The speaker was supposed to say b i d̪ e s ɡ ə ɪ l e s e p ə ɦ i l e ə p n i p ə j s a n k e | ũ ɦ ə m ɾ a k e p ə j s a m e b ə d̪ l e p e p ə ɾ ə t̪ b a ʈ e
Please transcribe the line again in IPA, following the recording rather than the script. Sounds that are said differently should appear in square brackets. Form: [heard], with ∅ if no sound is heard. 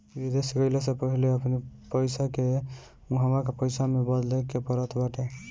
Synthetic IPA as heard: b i d̪ e s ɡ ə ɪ l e s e p ə ɦ i l e ə p n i p ə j s a [∅] k e | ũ ɦ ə m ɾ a k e p ə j s a m e b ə d̪ l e [k] e p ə ɾ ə [t̪ʰ] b a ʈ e